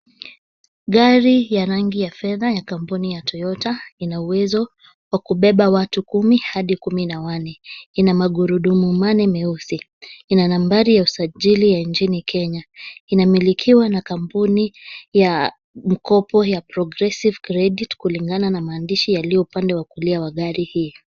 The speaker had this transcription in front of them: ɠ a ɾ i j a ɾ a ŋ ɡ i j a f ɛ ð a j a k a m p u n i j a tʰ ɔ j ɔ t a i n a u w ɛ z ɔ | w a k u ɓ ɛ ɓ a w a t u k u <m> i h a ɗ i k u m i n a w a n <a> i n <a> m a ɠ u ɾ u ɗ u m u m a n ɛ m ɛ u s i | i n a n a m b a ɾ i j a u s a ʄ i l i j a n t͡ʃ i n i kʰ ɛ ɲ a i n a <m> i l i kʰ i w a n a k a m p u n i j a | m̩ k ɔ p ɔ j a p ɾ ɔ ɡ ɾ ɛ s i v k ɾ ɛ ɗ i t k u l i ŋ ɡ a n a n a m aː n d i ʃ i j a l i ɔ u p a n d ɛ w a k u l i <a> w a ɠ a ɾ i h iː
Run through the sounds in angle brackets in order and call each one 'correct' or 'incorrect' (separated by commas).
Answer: correct, incorrect, correct, correct, correct